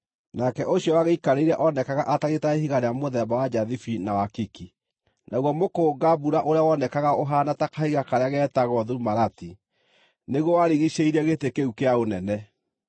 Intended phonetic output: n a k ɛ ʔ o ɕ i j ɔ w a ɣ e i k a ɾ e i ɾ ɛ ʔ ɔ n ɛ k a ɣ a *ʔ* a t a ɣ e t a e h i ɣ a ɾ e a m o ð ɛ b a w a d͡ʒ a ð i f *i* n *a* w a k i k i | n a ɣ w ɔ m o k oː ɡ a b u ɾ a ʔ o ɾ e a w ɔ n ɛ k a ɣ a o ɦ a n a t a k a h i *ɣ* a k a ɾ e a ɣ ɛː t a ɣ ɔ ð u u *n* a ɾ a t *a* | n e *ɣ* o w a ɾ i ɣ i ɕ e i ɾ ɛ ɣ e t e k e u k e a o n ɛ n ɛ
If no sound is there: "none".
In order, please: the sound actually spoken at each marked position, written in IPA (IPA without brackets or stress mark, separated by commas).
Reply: ʔ, i, a, ɣ, m, i, ɣ